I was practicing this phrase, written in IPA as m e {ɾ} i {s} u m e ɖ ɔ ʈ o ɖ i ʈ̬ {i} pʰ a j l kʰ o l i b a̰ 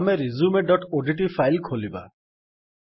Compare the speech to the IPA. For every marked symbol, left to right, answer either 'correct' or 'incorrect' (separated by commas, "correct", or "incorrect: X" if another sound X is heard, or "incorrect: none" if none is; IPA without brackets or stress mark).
correct, incorrect: z, correct